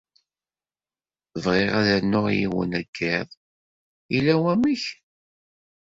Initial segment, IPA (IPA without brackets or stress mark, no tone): v